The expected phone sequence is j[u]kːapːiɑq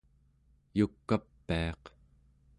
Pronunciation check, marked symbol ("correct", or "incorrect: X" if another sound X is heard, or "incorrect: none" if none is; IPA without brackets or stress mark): correct